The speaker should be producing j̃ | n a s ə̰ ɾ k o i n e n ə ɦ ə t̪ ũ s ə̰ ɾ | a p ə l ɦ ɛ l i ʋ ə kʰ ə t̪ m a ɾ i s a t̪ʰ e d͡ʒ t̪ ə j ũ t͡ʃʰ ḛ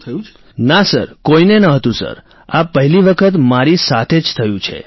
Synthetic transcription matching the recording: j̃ | n a s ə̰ ɾ k o i n e n ə ɦ ə t̪ ũ s ə̰ ɾ | a p ə ɦ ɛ l i ʋ ə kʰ ə t̪ m a ɾ i s a t̪ʰ e d͡ʒ t̪ʰ ə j ũ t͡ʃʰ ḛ